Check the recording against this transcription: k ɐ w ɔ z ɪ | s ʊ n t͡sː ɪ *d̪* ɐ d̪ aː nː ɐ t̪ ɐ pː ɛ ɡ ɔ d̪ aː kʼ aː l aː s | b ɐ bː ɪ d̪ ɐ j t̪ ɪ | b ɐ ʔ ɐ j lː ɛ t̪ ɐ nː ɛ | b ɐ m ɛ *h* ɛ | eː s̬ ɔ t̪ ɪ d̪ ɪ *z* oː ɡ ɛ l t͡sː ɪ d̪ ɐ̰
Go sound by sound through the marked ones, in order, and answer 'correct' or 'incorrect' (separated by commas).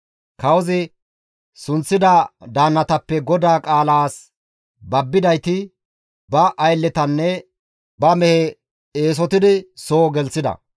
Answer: correct, correct, incorrect